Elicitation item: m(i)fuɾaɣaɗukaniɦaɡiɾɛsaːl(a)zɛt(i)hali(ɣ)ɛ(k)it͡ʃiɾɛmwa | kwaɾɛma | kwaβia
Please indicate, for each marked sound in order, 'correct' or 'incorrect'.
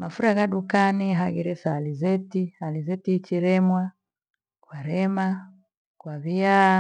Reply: incorrect, incorrect, correct, incorrect, incorrect

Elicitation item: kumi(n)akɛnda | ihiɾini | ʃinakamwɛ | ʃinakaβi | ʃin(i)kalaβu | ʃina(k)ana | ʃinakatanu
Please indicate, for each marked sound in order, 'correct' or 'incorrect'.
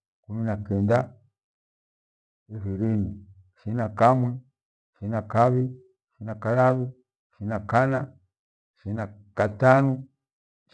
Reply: correct, incorrect, correct

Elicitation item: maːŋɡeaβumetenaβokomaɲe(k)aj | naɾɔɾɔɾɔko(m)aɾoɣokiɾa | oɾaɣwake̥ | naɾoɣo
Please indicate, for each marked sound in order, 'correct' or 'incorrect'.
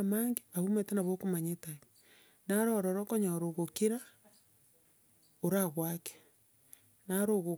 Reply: incorrect, incorrect

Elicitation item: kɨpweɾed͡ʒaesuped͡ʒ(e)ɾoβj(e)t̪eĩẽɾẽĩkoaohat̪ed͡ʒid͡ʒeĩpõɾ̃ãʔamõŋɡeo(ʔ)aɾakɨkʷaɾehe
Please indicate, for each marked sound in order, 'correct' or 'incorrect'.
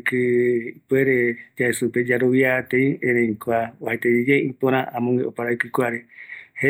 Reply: incorrect, incorrect, incorrect

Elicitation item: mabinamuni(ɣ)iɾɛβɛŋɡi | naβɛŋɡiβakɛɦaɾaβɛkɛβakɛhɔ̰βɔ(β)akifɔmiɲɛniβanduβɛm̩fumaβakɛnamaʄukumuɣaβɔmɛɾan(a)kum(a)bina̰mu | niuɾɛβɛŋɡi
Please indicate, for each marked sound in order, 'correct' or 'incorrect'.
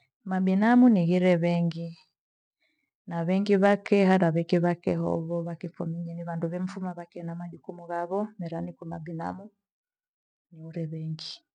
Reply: correct, correct, incorrect, correct

